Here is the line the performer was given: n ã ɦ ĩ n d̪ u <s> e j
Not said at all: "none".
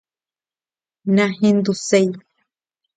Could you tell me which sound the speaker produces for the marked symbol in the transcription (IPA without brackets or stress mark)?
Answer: s